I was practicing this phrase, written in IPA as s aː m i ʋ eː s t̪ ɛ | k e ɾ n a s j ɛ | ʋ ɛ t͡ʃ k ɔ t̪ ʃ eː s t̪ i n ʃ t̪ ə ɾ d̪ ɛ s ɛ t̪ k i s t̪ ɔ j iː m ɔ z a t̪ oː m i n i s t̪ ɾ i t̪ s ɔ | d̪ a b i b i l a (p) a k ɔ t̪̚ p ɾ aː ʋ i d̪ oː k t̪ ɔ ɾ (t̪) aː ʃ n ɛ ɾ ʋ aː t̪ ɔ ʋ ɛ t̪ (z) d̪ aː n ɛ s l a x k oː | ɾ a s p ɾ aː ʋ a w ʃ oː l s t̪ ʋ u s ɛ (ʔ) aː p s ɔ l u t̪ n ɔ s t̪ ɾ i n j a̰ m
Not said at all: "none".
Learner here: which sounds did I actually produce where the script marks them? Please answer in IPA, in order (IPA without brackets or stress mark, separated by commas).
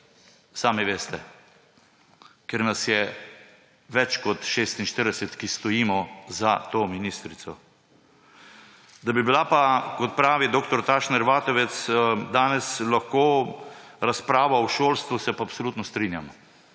p, t̪, s, p